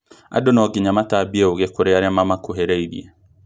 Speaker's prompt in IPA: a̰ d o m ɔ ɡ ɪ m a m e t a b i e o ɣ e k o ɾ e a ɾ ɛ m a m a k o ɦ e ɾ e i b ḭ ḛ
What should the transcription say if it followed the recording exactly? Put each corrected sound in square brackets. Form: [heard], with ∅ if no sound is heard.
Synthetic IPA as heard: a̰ d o [n] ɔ ɡ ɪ [ɲ] a m [a] t a b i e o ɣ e k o ɾ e a ɾ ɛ m a m a k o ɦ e ɾ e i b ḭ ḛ